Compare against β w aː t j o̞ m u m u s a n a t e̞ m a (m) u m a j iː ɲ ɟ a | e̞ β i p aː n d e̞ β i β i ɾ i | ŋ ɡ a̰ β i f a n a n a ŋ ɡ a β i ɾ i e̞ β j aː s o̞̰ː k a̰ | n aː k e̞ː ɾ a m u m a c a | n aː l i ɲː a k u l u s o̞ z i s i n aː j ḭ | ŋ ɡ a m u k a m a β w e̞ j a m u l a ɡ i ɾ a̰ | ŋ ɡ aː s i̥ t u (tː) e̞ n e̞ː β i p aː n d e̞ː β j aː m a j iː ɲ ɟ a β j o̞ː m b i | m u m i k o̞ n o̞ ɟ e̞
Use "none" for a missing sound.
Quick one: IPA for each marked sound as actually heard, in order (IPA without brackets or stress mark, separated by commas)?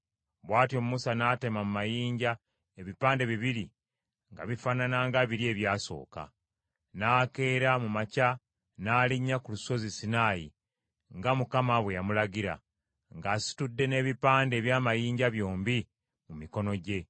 m, dː